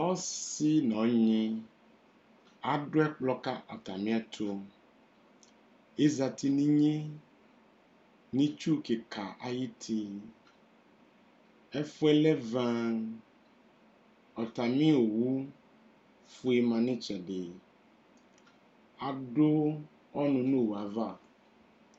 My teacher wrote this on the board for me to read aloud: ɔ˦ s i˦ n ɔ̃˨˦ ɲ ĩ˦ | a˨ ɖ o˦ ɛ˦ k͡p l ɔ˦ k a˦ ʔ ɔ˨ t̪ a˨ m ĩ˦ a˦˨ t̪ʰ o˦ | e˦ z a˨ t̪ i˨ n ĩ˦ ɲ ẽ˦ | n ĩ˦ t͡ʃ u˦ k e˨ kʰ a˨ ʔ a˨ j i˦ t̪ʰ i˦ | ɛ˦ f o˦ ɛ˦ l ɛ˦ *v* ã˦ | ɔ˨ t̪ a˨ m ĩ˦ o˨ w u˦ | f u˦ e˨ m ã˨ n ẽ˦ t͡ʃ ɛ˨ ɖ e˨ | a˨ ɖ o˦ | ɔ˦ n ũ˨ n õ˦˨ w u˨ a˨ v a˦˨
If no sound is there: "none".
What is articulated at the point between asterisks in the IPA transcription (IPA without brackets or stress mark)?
v